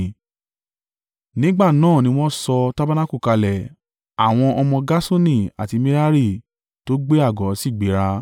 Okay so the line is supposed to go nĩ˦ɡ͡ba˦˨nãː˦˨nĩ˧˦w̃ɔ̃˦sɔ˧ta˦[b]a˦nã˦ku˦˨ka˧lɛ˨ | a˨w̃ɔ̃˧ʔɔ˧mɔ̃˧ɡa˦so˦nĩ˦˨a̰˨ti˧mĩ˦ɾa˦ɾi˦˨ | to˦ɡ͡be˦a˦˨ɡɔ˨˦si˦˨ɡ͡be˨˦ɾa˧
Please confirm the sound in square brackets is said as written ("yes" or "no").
yes